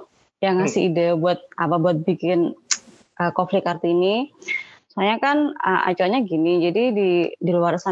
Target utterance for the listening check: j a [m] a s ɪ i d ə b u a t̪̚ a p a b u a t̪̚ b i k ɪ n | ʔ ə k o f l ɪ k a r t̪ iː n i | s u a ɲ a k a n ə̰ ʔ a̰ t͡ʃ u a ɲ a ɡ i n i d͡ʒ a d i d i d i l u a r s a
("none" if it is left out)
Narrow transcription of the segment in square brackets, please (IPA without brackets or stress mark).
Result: ŋ